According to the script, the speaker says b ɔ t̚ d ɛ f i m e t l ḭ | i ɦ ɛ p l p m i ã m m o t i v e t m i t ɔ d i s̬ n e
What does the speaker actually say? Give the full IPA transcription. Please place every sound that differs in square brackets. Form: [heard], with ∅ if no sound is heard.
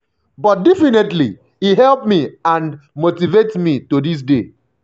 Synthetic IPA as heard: b ɔ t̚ d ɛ f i [n] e t l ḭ | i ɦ ɛ [∅] l p m i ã [n] m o t i v e t m i t [o] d i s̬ [d] e

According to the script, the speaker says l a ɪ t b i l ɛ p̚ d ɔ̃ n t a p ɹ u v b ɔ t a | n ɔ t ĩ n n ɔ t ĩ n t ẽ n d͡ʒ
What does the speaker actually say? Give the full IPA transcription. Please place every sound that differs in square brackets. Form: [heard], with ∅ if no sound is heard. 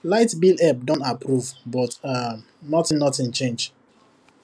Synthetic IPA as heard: l a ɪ t b i l ɛ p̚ d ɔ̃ n t a p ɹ u v b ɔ t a | n ɔ t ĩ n n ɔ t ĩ n [t͡ʃ] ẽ n d͡ʒ

